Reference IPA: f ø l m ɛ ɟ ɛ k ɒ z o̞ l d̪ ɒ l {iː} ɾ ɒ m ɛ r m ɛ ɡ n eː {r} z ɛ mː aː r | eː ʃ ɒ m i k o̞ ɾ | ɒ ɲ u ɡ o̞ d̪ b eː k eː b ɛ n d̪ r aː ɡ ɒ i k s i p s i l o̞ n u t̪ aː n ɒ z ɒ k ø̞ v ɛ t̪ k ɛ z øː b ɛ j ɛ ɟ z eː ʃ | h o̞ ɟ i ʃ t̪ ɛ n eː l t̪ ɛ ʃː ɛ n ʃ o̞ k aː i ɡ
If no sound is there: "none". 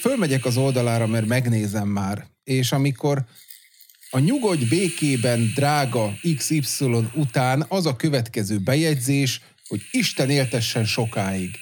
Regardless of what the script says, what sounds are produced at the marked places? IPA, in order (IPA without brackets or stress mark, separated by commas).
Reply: aː, none